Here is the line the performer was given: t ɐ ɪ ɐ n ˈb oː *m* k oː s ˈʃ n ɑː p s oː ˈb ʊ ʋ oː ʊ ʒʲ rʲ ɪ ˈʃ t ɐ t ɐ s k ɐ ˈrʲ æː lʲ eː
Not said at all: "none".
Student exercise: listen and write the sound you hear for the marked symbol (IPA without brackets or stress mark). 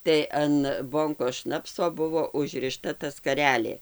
ŋ